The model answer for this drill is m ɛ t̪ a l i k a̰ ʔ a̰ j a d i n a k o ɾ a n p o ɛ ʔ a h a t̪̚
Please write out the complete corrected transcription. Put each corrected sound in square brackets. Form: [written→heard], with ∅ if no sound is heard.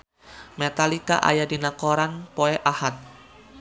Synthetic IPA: m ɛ t̪ a l i k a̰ ʔ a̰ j a d i n a k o ɾ a n p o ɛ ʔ a h a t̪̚